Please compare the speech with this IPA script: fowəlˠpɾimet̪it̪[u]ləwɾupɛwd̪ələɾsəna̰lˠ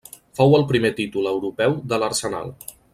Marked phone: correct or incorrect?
correct